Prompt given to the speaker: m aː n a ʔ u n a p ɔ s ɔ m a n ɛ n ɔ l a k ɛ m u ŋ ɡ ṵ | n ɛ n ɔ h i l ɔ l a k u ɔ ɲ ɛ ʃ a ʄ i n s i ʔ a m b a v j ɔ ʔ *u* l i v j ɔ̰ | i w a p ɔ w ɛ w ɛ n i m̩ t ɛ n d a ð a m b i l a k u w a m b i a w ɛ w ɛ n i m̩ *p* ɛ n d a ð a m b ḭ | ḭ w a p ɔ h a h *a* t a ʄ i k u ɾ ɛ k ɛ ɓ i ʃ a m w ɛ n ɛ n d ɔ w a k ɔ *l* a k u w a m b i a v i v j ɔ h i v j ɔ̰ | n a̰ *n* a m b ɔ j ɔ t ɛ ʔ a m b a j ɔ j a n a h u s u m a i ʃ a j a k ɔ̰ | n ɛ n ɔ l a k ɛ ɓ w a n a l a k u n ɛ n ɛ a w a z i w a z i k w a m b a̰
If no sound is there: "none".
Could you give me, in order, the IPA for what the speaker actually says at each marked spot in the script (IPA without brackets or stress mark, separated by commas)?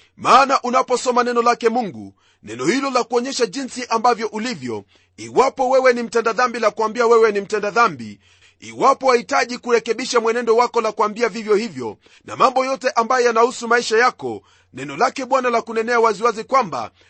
u, t, i, l, m